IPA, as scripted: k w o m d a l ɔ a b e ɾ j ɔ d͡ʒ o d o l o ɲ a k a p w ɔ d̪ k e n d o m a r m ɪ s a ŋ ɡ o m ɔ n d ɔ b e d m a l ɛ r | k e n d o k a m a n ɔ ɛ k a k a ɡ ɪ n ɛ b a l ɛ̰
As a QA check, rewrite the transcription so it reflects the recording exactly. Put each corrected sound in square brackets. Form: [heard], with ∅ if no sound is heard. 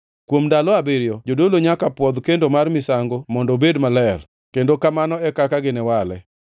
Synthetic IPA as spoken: k w o m d a l ɔ a b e ɾ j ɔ d͡ʒ o d o l o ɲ a k a p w ɔ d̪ k e n d o m a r m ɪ s a ŋ ɡ o m ɔ n d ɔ b e d m a l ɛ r | k e n d o k a m a n ɔ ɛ k a k a ɡ ɪ n ɛ [w] a l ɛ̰

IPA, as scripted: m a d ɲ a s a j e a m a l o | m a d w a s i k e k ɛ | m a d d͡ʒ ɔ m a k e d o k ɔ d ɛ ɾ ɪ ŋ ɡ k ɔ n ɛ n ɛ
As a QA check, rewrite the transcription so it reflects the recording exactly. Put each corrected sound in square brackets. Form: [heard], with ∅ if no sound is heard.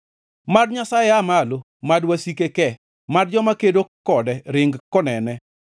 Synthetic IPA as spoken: m a d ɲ a s a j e a m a l o | m a d w a s i k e k ɛ | m a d d͡ʒ ɔ m a k e d o k ɔ d ɛ ɾ ɪ ŋ ɡ k ɔ n ɛ n ɛ

